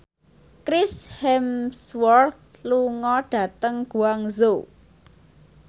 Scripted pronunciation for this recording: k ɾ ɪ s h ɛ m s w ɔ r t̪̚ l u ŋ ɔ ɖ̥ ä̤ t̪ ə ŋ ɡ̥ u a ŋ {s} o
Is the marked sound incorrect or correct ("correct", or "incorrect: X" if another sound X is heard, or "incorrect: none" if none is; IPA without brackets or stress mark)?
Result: incorrect: z